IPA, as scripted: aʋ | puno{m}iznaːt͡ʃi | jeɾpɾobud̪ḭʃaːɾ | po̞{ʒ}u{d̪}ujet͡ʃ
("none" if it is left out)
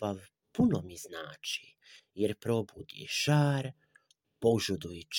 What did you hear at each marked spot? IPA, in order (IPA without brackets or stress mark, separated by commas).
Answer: m, ʒ, d̪